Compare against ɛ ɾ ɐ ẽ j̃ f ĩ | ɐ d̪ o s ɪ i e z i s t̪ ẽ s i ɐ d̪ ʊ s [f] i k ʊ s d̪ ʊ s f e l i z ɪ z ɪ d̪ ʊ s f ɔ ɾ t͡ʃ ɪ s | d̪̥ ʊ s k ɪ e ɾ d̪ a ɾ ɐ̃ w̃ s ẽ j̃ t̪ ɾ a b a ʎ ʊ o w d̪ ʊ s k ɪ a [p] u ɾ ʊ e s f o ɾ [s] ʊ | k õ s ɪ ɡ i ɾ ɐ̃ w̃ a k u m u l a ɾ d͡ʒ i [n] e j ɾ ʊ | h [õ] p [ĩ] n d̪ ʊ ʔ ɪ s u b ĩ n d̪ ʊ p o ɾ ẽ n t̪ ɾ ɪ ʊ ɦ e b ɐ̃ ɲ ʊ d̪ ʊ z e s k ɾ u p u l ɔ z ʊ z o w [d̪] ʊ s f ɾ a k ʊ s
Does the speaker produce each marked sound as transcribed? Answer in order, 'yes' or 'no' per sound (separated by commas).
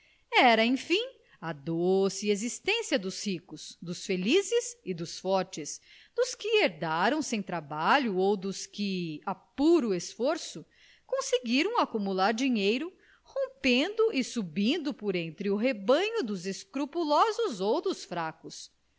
no, yes, yes, no, yes, no, yes